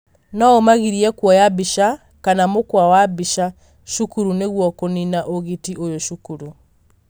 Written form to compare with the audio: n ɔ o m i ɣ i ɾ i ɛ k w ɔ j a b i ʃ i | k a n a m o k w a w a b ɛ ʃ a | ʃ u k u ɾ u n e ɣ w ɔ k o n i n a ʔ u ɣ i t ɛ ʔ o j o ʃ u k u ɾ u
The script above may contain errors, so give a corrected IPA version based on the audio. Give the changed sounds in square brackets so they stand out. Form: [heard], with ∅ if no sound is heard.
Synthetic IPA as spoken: n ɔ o m [a] ɣ i ɾ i ɛ k w ɔ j a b i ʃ [a] | k a n a m o k w a w a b [i] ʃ a | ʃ u k u ɾ u n e ɣ w ɔ k o n i n a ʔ [o] ɣ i t [i] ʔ o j o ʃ u k u ɾ u